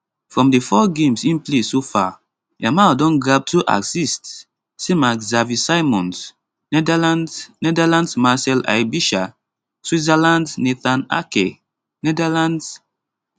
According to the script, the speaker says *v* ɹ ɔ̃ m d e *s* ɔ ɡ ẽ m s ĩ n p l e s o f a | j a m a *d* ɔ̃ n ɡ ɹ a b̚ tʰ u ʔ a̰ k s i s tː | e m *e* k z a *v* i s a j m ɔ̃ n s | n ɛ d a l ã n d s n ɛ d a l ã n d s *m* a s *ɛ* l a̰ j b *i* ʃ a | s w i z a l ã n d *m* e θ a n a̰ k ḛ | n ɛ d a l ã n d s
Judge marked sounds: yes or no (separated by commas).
no, no, yes, no, yes, yes, yes, yes, no